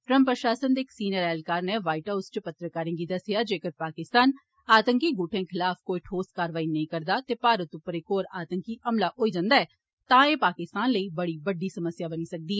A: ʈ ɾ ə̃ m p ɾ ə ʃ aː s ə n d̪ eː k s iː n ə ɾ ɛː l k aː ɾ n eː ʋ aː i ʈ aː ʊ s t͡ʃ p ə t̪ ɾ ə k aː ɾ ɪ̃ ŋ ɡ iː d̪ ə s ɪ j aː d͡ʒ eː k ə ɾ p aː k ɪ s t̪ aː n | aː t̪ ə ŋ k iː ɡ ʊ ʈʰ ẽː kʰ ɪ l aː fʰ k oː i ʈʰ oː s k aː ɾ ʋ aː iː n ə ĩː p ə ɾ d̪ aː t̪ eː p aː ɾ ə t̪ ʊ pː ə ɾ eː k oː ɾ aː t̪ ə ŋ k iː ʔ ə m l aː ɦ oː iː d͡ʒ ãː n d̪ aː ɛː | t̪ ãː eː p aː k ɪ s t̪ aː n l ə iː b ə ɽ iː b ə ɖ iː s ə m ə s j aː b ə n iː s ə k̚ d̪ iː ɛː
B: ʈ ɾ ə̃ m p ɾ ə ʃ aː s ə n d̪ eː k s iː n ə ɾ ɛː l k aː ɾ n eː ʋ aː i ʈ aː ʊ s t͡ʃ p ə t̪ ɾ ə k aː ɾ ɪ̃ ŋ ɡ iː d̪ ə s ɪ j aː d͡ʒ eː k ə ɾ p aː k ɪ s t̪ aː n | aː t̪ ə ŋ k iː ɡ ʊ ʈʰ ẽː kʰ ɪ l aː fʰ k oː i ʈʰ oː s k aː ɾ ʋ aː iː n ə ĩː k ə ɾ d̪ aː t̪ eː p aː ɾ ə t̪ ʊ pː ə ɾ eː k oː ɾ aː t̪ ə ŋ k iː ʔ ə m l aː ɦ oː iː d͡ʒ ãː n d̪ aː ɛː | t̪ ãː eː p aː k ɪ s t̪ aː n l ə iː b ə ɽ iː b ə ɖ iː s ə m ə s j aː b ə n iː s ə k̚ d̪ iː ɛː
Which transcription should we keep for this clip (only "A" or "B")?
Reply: B